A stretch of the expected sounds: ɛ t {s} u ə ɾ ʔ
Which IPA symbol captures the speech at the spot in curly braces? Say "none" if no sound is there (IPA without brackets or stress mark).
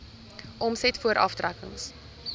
f